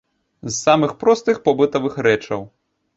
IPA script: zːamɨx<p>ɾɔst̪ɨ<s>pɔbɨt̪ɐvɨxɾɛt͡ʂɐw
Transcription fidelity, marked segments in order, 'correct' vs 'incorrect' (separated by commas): correct, incorrect